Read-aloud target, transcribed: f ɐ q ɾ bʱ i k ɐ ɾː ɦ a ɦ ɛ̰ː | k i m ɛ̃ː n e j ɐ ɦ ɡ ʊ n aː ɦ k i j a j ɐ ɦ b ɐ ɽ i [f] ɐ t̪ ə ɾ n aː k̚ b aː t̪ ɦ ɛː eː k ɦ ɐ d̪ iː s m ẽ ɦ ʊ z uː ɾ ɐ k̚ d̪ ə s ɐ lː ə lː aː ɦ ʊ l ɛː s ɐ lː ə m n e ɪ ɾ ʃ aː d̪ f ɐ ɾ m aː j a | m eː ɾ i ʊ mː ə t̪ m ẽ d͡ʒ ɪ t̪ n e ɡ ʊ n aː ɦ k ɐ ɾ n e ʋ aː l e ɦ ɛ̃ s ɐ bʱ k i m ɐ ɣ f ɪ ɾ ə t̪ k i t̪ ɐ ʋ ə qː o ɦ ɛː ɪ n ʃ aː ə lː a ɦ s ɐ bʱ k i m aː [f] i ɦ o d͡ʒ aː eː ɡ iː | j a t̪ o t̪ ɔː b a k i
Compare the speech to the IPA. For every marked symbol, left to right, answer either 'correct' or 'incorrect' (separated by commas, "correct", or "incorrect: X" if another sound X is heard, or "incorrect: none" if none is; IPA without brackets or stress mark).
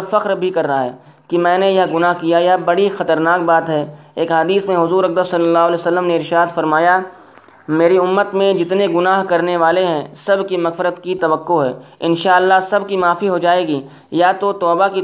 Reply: incorrect: x, correct